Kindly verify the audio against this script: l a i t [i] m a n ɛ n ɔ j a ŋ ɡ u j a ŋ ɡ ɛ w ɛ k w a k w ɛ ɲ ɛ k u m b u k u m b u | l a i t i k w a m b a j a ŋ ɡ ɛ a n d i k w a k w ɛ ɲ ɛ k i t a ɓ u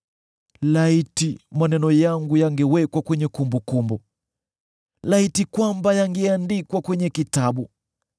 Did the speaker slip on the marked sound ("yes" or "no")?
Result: no